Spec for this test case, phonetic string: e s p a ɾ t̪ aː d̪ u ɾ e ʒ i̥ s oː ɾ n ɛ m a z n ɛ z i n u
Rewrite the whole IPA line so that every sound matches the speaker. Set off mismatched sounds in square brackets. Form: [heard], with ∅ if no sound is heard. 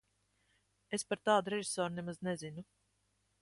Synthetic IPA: e s p a ɾ t̪ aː d̪ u ɾ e ʒ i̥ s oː ɾ n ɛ m a z n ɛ z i n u